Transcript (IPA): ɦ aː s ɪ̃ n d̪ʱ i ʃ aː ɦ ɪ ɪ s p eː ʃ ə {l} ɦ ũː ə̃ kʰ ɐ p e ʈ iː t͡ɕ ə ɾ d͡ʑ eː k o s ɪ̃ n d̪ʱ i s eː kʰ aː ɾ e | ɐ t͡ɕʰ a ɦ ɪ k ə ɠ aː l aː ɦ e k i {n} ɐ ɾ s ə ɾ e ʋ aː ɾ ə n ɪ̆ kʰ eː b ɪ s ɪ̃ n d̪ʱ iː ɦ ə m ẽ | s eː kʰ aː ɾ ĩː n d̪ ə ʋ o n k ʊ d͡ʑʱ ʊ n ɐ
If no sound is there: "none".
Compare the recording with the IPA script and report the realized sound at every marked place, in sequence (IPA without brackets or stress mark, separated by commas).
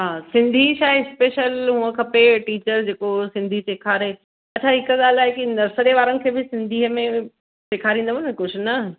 l, n